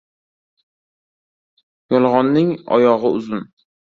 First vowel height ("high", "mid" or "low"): low